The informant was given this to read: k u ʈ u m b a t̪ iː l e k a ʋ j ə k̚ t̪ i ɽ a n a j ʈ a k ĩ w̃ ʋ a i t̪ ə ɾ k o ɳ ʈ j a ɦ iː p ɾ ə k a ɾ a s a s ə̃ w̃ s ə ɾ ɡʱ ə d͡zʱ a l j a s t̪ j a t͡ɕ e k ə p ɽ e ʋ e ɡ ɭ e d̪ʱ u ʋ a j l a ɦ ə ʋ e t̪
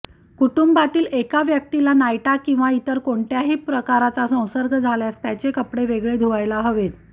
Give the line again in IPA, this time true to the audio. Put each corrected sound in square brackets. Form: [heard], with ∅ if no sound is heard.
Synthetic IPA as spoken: k u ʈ u m b a t̪ iː l e k a ʋ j ə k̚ t̪ i [l] a n a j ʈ a k ĩ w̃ ʋ a i t̪ ə ɾ k o ɳ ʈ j a ɦ iː p ɾ ə k a ɾ a [t͡s] a s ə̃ w̃ s ə ɾ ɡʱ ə d͡zʱ a l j a s t̪ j a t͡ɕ e k ə p ɽ e ʋ e ɡ ɭ e d̪ʱ u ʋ a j l a ɦ ə ʋ e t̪